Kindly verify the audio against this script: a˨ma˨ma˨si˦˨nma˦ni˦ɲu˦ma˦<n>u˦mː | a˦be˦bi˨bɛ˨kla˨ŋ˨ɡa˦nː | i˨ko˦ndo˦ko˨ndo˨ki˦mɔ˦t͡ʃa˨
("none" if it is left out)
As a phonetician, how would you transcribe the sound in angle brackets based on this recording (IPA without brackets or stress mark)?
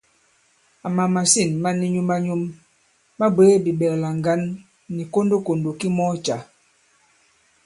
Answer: ɲ